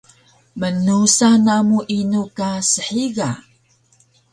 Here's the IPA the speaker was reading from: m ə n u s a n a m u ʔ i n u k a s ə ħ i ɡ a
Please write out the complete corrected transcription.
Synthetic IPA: m ə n u s a n a m u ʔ i n u k a s ə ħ i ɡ a